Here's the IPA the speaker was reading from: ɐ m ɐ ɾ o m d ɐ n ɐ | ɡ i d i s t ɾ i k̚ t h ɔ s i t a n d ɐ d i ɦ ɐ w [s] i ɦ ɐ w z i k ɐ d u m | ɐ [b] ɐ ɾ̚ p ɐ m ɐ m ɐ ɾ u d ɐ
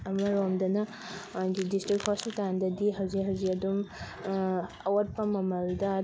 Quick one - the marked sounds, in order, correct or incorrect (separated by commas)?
incorrect, incorrect